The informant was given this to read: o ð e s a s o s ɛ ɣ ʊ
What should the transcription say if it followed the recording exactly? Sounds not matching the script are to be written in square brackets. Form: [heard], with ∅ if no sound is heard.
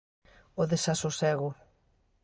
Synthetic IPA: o ð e s a s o s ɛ ɣ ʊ